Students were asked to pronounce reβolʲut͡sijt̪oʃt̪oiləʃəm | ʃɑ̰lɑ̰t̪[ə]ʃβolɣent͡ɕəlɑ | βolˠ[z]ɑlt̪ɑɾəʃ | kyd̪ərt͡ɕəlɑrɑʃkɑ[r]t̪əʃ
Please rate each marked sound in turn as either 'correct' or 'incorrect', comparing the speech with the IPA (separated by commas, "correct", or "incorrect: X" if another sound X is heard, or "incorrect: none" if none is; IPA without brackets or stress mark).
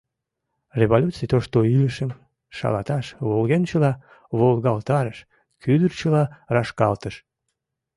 incorrect: ɑ, incorrect: ɣ, incorrect: l